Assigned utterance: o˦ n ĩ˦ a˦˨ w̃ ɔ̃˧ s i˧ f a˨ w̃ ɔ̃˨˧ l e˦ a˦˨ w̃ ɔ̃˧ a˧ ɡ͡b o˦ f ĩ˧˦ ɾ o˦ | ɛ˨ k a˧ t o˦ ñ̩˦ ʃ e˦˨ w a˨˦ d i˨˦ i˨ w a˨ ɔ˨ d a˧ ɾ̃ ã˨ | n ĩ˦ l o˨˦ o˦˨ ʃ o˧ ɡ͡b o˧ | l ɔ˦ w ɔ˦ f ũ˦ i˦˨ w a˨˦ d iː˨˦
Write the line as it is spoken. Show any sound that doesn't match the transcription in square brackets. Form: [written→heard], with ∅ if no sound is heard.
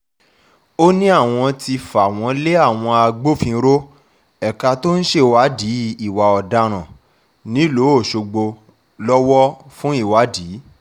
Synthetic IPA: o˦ n ĩ˦ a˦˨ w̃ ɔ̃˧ [s→t] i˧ f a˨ w̃ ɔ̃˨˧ l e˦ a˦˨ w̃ ɔ̃˧ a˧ ɡ͡b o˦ f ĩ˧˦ ɾ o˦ | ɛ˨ k a˧ t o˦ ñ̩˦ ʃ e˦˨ w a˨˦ d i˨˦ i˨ w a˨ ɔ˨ d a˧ ɾ̃ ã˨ | n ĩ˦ l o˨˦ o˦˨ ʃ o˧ ɡ͡b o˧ | l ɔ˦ w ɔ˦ f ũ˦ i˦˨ w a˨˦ d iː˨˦